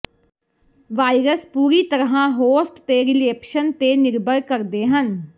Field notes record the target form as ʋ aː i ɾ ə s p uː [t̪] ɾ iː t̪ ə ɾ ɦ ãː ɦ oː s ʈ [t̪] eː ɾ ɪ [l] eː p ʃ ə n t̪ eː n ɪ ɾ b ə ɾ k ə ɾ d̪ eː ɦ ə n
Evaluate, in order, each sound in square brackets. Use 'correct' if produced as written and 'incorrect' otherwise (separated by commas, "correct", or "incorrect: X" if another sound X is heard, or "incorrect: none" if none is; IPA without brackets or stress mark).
incorrect: none, correct, correct